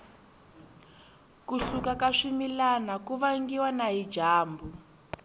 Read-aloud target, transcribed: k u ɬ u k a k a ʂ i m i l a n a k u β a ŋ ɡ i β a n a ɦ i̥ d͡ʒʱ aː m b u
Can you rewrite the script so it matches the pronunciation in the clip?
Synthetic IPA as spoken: k u ɬ u k a k a ʂ i m i l a n a k u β a ŋ ɡ i w a n a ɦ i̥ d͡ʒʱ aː m b u